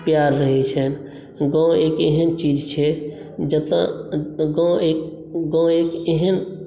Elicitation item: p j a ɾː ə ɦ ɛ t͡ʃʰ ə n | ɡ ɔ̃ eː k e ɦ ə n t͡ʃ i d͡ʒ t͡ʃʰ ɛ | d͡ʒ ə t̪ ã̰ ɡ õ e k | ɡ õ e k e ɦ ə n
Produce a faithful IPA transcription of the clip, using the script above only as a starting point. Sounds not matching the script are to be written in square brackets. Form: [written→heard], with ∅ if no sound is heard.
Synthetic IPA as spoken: p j a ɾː ə ɦ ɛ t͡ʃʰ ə n | ɡ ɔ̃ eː k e ɦ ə n t͡ʃ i d͡ʒ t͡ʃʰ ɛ | d͡ʒ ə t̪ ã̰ ɡ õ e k | ɡ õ e k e ɦ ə n

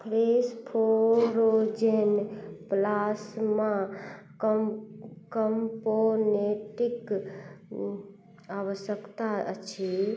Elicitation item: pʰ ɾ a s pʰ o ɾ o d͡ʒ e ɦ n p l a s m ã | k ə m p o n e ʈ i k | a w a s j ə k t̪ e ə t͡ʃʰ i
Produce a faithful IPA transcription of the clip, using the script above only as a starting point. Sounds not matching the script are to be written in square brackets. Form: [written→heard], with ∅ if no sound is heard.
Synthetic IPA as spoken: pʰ ɾ [a→e] s pʰ o ɾ o d͡ʒ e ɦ n p l a s m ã | k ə m p o n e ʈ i k | a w [a→ə] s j ə k t̪ [e→a] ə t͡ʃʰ i

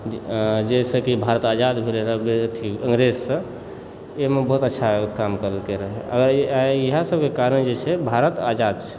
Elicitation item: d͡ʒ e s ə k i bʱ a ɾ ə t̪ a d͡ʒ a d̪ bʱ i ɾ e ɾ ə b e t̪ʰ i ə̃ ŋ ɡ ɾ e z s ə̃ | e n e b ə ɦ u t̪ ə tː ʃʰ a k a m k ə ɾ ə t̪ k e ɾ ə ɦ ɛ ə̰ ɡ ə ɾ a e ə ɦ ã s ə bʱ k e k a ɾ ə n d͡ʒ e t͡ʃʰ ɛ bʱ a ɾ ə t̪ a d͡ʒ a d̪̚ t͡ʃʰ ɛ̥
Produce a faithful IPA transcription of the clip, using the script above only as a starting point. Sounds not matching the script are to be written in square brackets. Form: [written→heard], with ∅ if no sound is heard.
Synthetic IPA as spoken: d͡ʒ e s ə k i bʱ a ɾ ə t̪ a d͡ʒ a d̪ bʱ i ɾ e ɾ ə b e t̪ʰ i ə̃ ŋ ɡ ɾ e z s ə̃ | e [n→m] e b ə ɦ u t̪ ə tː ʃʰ a k a m k ə ɾ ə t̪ k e ɾ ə ɦ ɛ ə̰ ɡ ə ɾ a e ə ɦ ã s ə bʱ k e k a ɾ ə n d͡ʒ e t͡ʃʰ ɛ bʱ a ɾ ə t̪ a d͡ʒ a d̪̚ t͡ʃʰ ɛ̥

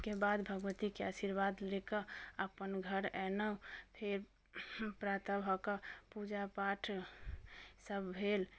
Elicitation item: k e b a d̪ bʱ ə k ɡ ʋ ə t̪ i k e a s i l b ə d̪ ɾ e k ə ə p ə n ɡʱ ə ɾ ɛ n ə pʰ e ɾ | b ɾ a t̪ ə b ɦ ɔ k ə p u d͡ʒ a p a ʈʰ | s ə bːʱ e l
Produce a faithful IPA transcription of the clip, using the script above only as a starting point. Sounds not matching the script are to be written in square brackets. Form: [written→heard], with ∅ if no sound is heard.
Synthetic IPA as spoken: k e b a d̪ bʱ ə [k→∅] ɡ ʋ ə t̪ i k e a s i [l→ɾ] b [ə→a] d̪ [ɾ→l] e k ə ə p ə n ɡʱ ə ɾ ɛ n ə pʰ e ɾ | [b→p] ɾ a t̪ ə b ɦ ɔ k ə p u d͡ʒ a p a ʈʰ | s ə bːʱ e l

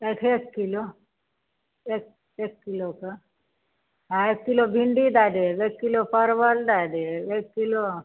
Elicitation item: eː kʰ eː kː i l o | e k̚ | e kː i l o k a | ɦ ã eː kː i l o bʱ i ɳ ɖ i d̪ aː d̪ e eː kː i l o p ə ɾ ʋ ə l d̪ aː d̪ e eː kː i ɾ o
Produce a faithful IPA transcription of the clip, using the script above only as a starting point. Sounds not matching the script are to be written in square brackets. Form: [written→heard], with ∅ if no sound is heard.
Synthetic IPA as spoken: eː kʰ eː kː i l o | e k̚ | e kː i l o k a | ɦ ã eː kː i l o bʱ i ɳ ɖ i d̪ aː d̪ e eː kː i l o p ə ɾ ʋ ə l d̪ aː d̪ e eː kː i [ɾ→l] o

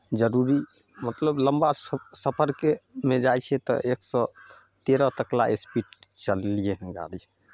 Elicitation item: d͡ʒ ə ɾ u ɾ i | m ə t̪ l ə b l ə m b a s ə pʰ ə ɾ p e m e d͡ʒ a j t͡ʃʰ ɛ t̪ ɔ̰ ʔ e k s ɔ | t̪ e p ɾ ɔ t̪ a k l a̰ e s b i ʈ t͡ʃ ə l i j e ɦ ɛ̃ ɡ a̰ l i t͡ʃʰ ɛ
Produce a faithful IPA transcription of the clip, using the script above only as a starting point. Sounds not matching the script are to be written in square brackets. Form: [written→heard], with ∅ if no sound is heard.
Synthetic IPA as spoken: d͡ʒ ə ɾ u ɾ i | m ə t̪ l ə b l ə m b a s ə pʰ ə ɾ [p→k] e m e d͡ʒ a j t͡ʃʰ ɛ t̪ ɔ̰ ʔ e k s ɔ | t̪ e [p→∅] ɾ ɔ t̪ [a→ə] k l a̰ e s [b→p] i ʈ t͡ʃ ə l i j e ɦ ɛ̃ ɡ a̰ l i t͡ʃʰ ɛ

